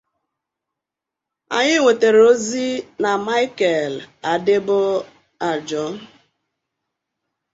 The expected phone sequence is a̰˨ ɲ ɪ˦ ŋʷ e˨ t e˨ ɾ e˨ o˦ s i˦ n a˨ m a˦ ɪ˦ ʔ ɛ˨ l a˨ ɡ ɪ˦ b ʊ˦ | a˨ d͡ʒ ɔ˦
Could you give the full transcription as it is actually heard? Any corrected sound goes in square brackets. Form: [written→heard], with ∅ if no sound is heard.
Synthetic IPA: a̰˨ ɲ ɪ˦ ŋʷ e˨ t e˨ ɾ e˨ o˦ [s→z] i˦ n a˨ m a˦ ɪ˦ [ʔ→k] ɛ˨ l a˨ [ɡ→d] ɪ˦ b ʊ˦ | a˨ d͡ʒ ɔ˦